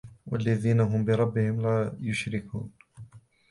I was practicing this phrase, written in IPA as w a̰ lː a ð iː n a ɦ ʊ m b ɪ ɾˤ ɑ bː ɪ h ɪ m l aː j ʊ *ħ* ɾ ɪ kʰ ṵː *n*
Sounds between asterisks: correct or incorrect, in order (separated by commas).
incorrect, correct